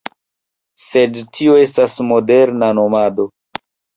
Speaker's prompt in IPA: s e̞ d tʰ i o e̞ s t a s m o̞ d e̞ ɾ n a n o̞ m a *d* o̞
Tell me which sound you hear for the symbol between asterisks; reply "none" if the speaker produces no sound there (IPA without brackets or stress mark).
d